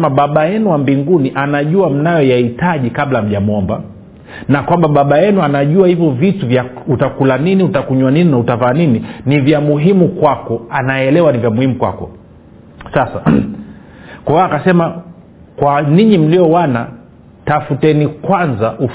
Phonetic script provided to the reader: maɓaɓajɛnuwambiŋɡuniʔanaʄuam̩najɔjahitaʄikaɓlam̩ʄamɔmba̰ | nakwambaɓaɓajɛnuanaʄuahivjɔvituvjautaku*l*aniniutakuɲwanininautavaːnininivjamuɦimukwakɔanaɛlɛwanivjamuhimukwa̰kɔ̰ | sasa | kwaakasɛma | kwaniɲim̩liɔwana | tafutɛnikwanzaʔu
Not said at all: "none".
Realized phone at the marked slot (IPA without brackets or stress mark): l